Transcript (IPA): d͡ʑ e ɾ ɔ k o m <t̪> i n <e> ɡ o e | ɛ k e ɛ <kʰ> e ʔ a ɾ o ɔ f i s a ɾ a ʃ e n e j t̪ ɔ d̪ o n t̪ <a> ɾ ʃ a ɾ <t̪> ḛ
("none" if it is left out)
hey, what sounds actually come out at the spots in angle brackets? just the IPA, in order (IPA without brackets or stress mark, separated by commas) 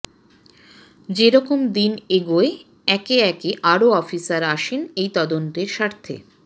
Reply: d̪, e, k, e, t̪ʰ